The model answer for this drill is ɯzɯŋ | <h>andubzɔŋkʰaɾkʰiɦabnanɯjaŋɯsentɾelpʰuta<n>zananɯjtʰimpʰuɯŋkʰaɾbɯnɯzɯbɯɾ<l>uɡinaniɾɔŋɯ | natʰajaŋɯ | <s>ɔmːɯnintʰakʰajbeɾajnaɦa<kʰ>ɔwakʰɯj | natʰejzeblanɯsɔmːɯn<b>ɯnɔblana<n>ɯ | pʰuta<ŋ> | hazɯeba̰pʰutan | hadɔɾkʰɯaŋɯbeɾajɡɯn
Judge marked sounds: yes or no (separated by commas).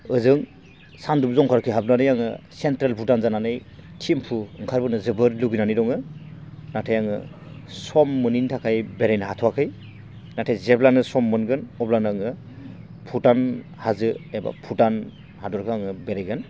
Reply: no, yes, yes, yes, no, no, no, no